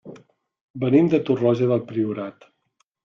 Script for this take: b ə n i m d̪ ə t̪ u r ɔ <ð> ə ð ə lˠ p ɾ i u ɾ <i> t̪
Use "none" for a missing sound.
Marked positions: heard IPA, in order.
ʒ, a

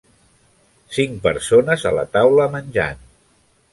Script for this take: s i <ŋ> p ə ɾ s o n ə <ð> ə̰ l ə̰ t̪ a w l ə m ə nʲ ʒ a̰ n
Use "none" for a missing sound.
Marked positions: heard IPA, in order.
ŋ, z

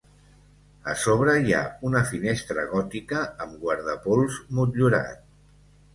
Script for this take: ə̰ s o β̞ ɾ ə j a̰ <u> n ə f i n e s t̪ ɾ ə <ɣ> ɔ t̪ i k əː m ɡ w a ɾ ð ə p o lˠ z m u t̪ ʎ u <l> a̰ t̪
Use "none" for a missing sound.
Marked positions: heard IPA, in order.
u, ɣ, ɾ

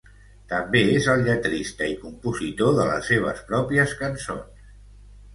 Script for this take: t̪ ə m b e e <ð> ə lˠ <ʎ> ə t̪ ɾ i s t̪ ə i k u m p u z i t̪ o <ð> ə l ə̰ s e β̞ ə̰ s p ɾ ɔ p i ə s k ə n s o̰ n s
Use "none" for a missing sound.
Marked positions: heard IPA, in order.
z, ʎ, ð

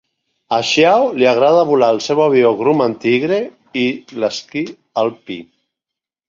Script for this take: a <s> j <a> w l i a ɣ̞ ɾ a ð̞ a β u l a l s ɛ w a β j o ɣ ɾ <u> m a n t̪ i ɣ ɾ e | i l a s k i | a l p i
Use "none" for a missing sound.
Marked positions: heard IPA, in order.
ʃ, a, u

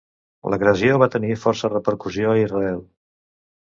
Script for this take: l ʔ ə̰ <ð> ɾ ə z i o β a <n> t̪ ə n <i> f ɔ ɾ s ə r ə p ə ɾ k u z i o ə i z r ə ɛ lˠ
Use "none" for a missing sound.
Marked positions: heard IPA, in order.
ɣ, none, i

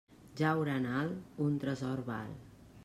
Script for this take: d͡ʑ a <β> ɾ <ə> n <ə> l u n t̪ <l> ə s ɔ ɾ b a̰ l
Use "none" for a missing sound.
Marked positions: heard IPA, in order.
w, a, a, ɾ

